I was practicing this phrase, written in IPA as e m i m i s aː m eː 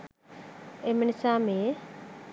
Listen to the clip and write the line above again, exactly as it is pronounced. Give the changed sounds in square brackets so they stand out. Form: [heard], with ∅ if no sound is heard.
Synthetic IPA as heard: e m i [n] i s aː m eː